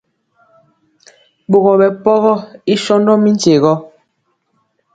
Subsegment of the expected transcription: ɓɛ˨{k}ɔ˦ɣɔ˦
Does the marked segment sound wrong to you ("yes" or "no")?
yes